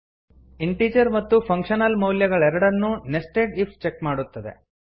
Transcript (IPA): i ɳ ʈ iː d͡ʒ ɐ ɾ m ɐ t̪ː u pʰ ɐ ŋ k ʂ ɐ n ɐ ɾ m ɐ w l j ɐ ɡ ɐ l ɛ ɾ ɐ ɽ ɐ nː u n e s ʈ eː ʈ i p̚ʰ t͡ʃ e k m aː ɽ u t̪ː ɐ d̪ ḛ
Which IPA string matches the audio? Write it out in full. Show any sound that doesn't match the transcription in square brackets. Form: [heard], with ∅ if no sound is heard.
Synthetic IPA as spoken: i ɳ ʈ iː d͡ʒ ɐ ɾ m ɐ t̪ː u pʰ ɐ ŋ k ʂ ɐ n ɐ [l] m ɐ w l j ɐ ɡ ɐ [ɭ] ɛ ɾ ɐ ɽ ɐ nː u n e s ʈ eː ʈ i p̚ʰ t͡ʃ e k m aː ɽ u t̪ː ɐ d̪ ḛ